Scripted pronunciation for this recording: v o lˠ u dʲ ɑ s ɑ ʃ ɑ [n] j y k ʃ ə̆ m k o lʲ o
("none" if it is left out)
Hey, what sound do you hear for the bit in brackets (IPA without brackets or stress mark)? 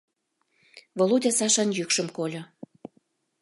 n